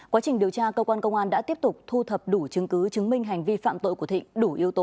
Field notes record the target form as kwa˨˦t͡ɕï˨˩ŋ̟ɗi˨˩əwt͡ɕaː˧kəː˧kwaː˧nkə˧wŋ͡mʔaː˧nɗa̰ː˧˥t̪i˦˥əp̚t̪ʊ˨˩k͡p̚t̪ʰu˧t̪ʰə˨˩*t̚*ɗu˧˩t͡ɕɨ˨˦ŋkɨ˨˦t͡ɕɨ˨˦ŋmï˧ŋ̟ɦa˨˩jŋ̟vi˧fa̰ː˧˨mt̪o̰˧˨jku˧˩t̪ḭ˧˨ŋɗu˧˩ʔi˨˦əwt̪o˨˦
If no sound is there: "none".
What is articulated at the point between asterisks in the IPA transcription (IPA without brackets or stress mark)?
p̚